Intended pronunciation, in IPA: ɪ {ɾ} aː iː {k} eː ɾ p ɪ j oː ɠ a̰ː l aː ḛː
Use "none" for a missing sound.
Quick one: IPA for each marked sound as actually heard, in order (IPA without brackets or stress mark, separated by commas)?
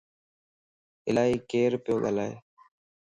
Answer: l, k